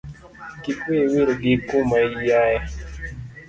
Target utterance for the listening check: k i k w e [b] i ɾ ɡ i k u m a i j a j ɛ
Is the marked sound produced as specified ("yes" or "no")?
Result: no